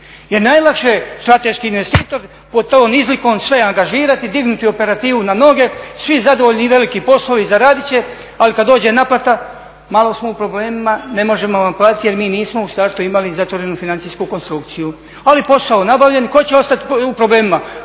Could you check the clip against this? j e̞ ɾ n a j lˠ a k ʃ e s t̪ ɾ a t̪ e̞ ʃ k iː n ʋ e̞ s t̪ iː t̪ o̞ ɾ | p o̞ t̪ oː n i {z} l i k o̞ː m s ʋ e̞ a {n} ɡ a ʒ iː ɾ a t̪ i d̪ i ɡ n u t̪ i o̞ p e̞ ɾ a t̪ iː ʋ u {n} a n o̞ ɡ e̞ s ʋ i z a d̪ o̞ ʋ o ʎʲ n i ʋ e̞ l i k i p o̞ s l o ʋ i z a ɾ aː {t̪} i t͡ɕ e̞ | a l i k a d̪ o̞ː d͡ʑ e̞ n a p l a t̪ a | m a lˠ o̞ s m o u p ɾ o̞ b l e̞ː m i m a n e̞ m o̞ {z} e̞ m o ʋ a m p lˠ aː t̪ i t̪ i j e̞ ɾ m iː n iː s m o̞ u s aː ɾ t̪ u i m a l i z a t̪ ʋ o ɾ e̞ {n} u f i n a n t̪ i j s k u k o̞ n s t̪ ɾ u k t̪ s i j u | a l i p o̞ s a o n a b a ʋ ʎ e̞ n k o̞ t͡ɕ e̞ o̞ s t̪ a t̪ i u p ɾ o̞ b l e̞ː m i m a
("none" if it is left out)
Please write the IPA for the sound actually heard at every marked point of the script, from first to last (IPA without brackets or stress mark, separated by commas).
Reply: z, ŋ, n, d̪, ʒ, n